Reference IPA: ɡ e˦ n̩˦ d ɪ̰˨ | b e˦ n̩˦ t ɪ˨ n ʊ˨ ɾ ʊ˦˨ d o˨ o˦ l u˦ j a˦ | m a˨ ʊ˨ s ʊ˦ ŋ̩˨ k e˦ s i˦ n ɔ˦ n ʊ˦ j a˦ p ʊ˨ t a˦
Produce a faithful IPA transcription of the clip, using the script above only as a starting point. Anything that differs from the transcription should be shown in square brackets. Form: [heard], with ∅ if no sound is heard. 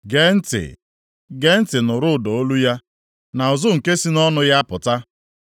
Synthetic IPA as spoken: ɡ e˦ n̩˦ [t] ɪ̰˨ | [ɡ] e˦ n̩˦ t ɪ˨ n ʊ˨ ɾ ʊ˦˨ d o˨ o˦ l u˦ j a˦ | [n] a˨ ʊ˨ [z] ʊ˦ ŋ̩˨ k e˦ s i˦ n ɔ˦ n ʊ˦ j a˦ p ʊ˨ t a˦